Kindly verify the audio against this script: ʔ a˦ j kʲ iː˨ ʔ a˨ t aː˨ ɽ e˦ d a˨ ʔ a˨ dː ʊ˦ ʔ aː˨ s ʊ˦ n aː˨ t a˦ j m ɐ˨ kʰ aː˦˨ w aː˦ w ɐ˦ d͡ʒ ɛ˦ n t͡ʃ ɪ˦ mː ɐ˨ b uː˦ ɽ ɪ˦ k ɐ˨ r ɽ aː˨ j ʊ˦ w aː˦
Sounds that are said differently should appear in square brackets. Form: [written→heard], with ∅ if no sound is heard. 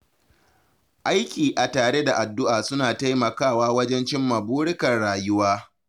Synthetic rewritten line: ʔ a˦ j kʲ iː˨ ʔ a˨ t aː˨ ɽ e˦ d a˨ ʔ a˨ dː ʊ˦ ʔ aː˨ s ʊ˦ n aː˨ t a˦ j m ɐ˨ [kʰ→k] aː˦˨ w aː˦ w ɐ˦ d͡ʒ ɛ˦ n t͡ʃ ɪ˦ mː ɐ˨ b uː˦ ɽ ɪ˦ k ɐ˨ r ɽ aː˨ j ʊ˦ w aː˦